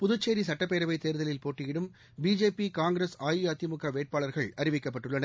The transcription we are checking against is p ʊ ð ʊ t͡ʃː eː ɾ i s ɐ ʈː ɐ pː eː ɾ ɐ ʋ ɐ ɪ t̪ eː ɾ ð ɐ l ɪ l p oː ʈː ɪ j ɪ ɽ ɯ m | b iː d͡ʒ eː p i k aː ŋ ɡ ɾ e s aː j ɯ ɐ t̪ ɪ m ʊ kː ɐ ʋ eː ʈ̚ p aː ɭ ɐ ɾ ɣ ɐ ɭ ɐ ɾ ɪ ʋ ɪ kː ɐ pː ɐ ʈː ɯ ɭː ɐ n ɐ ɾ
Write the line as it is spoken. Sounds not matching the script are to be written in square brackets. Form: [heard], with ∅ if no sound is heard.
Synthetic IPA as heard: p ʊ ð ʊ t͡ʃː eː ɾ i s ɐ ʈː ɐ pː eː ɾ ɐ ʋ ɐ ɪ t̪ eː ɾ ð ɐ l ɪ l p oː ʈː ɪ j ɪ ɽ ɯ m | b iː d͡ʒ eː p i k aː ŋ ɡ ɾ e s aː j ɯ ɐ t̪ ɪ m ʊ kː ɐ ʋ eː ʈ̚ p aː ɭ ɐ ɾ ɣ ɐ ɭ ɐ ɾ ɪ ʋ ɪ kː ɐ pː ɐ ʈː ɯ ɭː ɐ n ɐ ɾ